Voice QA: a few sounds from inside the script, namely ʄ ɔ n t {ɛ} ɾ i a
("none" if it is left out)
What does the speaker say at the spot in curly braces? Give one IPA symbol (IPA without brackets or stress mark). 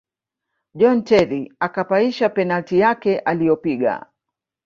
ɛ